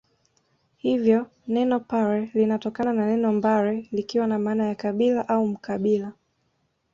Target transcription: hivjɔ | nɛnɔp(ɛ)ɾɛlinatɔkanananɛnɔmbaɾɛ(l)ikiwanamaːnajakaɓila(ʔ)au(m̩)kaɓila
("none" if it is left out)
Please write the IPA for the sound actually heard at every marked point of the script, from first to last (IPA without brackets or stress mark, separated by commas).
a, l, ʔ, m̩